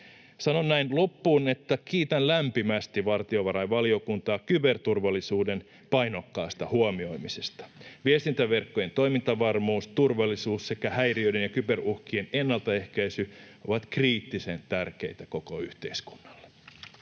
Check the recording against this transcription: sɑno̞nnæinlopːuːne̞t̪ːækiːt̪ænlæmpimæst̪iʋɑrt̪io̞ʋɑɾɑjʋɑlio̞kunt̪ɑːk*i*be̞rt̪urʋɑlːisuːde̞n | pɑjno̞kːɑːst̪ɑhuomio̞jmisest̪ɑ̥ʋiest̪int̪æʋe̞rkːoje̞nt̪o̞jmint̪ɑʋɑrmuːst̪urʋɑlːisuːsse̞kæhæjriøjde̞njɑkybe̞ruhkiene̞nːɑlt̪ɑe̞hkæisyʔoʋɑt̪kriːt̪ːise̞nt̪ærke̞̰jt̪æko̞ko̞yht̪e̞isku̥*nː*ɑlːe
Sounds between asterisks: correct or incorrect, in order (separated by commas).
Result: incorrect, correct